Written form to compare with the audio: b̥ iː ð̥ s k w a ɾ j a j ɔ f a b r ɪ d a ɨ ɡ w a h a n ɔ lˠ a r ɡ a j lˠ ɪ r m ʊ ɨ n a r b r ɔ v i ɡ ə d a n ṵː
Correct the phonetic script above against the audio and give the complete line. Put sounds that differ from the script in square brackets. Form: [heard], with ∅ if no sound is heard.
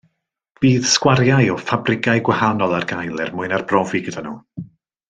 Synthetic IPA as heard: b̥ iː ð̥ s k w a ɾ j a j ɔ f a b r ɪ [ɡ] a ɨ ɡ w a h a n ɔ lˠ a r ɡ a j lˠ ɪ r m ʊ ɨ n a r b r ɔ v i ɡ ə d a n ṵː